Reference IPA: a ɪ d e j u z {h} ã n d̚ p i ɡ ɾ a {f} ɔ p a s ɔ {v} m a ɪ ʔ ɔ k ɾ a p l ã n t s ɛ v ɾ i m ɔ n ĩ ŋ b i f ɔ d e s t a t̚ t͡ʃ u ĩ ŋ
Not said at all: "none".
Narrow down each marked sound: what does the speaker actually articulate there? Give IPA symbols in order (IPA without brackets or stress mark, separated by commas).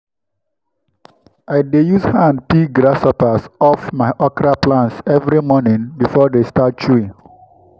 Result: h, s, f